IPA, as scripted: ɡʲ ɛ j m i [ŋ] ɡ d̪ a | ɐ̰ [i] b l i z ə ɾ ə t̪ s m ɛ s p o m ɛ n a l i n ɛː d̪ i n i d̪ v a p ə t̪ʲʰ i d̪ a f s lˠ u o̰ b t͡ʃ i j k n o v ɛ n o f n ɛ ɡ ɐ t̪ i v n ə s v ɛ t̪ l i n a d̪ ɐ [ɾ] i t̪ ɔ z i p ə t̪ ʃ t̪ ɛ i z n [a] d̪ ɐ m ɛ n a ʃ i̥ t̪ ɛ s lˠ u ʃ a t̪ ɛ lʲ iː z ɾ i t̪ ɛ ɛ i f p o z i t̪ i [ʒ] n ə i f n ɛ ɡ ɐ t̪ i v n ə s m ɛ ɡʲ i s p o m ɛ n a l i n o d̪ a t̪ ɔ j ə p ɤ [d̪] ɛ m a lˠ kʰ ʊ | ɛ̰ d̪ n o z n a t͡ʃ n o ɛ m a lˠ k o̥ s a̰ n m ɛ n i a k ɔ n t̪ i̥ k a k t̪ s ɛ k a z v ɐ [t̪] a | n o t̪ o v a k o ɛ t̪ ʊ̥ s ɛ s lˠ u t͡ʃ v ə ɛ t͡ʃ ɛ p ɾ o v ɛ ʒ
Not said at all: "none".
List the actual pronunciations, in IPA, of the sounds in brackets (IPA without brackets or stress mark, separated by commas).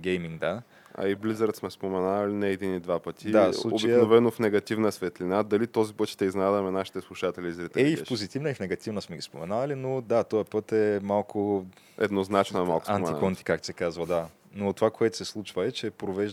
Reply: ŋ, i, l, a, v, t̪, d̪